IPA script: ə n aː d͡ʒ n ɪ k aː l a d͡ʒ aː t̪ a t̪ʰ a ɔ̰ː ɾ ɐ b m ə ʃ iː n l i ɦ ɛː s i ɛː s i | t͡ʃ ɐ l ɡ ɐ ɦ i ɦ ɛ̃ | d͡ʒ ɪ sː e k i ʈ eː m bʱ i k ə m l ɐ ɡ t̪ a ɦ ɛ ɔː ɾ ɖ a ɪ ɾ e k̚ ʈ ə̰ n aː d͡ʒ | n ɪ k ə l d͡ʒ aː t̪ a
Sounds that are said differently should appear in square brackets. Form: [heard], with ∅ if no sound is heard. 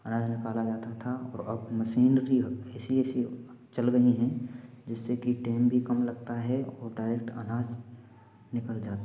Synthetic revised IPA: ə n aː d͡ʒ n ɪ k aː l a d͡ʒ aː t̪ a t̪ʰ a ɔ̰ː ɾ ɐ b m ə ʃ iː n [ɾ] i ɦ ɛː s i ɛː s i | t͡ʃ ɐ l ɡ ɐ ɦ i ɦ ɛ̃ | d͡ʒ ɪ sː e k i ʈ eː m bʱ i k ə m l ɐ ɡ t̪ a ɦ ɛ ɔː ɾ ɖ a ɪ ɾ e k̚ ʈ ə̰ n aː d͡ʒ | n ɪ k ə l d͡ʒ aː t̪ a